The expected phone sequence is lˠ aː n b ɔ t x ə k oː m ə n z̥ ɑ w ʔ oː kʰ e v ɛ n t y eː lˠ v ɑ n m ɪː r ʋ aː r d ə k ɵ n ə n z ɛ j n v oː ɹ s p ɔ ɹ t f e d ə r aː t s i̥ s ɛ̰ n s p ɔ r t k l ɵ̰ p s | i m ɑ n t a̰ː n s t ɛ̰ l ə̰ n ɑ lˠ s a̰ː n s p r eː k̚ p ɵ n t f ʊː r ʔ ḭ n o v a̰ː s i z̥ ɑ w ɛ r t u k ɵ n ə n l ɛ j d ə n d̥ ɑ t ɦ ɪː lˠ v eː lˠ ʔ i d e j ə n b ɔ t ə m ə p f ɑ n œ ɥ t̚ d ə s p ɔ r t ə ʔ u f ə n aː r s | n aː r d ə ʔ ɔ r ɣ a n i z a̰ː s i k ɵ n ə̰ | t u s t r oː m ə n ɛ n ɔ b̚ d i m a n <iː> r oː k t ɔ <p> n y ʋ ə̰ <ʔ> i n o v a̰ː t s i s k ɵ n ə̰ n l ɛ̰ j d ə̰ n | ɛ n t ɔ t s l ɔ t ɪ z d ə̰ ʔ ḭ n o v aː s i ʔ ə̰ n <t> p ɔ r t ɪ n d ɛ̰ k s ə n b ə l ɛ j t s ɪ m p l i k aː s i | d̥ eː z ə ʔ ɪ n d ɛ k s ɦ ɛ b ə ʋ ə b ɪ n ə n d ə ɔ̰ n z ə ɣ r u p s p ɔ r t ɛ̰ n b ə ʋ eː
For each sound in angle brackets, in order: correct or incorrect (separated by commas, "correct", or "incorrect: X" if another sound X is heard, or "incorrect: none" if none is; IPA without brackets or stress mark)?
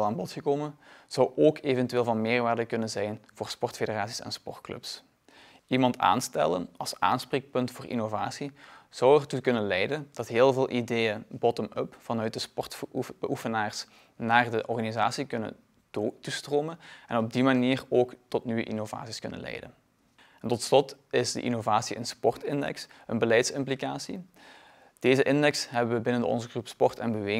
correct, incorrect: t, correct, incorrect: s